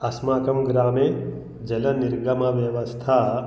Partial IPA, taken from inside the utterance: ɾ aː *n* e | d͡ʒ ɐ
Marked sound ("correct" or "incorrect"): incorrect